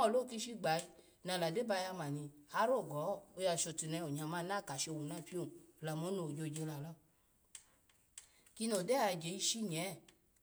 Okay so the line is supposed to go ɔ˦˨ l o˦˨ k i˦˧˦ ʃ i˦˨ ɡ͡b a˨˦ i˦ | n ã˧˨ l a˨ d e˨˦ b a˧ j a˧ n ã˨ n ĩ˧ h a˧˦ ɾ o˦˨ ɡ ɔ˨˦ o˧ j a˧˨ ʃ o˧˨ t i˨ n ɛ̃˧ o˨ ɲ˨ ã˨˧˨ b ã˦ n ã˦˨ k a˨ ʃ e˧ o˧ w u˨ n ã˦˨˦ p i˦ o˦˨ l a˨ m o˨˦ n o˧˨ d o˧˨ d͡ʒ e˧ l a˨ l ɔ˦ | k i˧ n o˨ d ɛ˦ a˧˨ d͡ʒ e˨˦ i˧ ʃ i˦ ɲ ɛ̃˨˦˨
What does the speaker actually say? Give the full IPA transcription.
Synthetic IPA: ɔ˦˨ l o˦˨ k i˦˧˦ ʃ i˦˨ ɡ͡b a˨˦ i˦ | n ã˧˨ l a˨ d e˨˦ b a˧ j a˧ m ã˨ n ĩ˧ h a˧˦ ɾ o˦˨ ɡ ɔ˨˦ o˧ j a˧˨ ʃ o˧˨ t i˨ n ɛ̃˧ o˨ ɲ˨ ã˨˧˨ m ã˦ n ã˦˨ k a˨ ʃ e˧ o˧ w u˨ n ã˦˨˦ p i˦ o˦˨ l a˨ m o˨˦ n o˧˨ d͡ʒ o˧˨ d͡ʒ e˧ l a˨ l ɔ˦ | k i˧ n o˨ d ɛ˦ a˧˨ d͡ʒ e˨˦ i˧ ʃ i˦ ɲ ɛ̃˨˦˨